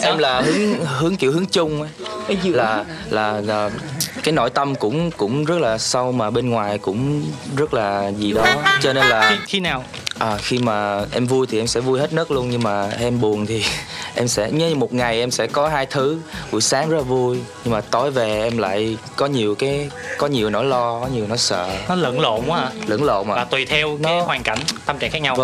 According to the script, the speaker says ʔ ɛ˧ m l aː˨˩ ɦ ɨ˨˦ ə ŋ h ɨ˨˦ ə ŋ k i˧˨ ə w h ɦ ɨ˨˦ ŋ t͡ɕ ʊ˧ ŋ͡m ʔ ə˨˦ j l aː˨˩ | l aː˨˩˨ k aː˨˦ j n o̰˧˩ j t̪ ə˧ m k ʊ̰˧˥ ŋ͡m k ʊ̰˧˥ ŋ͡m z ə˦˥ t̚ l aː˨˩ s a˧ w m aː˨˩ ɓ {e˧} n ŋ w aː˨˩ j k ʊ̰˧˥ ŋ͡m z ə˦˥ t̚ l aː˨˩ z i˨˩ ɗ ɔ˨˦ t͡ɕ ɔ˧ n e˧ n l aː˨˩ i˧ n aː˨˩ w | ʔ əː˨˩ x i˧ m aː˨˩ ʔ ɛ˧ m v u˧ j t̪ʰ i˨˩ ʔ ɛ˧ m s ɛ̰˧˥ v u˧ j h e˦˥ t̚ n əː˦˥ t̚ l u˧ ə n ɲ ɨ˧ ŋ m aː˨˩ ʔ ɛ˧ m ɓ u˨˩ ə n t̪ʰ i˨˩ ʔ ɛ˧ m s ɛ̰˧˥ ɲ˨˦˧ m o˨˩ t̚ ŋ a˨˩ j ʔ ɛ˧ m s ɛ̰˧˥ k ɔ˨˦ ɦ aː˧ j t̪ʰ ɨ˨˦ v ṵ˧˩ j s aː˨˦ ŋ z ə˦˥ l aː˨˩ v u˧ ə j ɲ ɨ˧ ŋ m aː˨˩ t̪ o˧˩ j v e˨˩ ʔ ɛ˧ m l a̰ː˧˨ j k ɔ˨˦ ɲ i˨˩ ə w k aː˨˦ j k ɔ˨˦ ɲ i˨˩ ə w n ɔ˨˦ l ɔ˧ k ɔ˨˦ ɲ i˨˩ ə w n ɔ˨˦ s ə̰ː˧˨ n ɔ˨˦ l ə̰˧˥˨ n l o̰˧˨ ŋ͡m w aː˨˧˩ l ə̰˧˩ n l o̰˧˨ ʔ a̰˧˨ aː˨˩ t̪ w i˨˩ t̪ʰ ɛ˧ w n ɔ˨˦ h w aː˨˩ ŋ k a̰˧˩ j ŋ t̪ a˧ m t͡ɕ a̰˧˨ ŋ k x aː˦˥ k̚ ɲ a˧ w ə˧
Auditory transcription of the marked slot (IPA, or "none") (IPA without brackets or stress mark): e˧